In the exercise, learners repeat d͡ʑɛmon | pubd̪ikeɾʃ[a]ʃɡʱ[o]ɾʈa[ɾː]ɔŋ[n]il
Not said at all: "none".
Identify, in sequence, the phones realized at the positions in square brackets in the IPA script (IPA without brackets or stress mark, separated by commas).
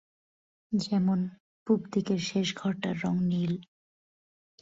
e, ɔ, ɾː, n